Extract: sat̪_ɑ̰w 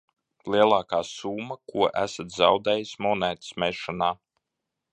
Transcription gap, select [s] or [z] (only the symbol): z